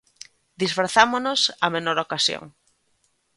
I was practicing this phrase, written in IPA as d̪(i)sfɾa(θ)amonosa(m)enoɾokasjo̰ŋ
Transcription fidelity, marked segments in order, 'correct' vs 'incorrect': correct, correct, correct

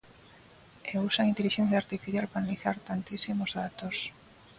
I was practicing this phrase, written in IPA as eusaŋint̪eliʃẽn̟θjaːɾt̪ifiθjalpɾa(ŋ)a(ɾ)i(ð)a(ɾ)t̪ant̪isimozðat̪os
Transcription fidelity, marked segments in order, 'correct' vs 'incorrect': incorrect: n, incorrect: l, incorrect: θ, correct

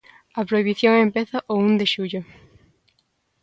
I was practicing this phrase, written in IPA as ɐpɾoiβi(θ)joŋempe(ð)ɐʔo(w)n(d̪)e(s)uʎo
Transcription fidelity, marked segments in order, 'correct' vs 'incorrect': correct, incorrect: θ, incorrect: u, correct, incorrect: ʃ

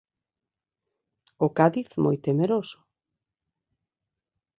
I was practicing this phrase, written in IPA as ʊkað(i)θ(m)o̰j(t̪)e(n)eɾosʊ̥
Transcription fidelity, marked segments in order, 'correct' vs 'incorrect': correct, correct, correct, incorrect: m

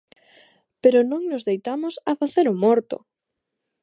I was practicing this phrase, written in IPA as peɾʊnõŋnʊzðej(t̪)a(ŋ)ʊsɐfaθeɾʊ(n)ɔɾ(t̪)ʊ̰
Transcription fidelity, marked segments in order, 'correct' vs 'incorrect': correct, incorrect: m, incorrect: m, correct

